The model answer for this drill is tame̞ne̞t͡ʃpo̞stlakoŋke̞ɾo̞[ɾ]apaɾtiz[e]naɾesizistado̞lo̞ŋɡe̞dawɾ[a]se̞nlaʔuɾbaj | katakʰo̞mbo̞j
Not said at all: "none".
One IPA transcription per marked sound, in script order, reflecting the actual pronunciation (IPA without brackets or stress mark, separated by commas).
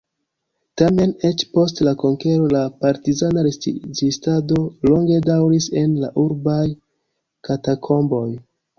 l, a, i